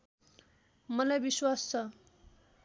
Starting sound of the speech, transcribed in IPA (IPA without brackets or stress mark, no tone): m